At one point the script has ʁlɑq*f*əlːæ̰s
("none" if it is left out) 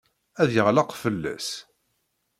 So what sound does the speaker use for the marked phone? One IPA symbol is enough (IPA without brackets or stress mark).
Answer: f